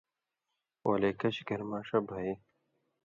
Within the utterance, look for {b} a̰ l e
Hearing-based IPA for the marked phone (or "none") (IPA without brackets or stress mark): w